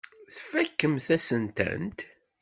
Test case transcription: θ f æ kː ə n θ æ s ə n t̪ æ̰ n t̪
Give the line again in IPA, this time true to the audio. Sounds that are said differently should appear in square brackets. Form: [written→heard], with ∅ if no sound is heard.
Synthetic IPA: θ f æ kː ə [n→m] θ æ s ə n t̪ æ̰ n t̪